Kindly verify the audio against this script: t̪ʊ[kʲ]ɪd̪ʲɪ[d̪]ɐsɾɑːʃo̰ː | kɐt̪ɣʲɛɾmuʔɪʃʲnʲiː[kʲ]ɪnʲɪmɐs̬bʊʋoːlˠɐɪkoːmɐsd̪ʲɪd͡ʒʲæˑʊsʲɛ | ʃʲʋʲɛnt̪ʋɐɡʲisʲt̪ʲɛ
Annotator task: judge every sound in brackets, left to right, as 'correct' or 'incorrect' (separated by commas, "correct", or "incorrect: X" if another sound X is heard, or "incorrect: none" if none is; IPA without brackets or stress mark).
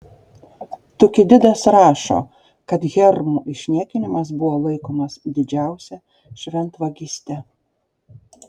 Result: correct, correct, correct